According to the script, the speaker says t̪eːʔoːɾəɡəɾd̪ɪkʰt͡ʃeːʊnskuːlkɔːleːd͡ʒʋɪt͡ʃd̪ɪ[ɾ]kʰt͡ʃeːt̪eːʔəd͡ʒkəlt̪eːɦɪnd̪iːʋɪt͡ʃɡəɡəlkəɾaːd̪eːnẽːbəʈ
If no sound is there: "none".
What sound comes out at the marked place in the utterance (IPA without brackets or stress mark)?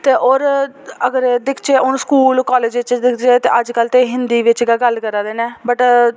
none